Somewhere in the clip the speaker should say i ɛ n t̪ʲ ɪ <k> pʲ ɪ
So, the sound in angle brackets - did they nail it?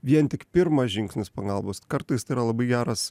yes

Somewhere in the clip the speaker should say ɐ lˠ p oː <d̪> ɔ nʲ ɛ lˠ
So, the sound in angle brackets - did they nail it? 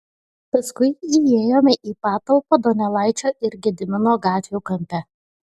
yes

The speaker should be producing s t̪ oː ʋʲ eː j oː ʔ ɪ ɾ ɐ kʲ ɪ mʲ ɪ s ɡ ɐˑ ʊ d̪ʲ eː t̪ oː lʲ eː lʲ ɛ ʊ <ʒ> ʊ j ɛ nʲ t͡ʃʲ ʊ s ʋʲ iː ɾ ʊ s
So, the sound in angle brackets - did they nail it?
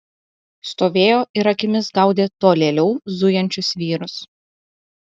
no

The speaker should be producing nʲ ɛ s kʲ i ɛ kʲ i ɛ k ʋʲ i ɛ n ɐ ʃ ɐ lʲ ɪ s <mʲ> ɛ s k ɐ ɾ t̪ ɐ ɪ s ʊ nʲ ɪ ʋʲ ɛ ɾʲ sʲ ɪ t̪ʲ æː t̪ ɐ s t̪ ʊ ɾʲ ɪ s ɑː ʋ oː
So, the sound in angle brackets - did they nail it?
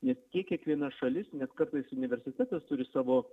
no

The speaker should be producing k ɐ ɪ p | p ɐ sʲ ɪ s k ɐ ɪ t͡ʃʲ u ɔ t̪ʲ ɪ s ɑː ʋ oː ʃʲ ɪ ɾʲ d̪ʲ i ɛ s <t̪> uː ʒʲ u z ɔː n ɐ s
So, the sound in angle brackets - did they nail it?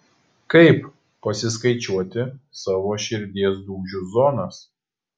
no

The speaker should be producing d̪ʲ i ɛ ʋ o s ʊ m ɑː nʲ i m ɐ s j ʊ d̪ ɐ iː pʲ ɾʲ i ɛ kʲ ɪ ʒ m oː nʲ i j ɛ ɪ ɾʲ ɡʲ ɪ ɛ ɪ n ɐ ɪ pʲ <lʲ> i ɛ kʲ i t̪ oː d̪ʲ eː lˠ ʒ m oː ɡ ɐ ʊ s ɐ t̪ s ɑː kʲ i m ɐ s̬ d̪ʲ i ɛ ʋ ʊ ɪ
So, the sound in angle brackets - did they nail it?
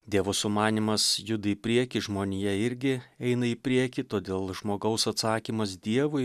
no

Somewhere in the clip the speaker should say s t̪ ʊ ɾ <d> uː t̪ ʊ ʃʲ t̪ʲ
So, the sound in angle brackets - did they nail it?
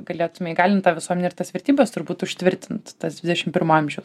no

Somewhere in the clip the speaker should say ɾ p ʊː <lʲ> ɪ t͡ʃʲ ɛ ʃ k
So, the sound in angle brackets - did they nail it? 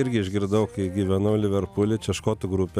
yes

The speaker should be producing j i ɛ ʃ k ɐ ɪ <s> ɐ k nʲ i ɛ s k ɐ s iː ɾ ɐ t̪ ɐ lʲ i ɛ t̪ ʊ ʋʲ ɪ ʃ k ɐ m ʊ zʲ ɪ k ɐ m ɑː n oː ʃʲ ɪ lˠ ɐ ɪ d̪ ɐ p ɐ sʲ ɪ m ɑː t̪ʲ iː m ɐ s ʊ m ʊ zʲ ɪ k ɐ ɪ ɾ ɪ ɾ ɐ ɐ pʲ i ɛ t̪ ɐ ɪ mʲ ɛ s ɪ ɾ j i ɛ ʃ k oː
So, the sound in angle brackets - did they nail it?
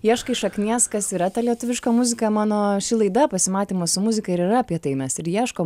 no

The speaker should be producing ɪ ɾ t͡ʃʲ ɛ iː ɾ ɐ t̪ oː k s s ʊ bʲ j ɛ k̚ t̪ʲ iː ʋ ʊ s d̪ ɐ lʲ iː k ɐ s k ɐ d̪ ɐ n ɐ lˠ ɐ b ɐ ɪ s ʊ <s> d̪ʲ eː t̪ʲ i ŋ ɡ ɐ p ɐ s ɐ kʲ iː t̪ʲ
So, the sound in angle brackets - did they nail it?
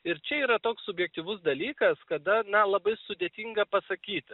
no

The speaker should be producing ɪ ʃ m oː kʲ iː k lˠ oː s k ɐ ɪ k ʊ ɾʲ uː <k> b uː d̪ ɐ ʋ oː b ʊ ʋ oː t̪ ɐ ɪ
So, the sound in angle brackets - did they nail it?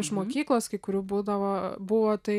no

